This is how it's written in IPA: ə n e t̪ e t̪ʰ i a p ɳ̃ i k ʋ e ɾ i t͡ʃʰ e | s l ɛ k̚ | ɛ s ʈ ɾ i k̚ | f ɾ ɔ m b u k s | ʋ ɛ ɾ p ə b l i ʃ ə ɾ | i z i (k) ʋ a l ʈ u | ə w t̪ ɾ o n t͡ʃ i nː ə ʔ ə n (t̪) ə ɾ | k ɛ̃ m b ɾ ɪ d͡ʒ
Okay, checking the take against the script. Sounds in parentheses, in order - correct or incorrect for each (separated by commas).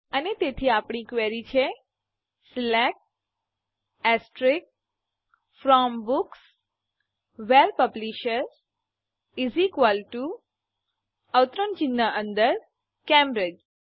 correct, incorrect